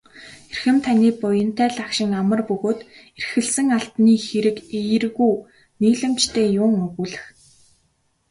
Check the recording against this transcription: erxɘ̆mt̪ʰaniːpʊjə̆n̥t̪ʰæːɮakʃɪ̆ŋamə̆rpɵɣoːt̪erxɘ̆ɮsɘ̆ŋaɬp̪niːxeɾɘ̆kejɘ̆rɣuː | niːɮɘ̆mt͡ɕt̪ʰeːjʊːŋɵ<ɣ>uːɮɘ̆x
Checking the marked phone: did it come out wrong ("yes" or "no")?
no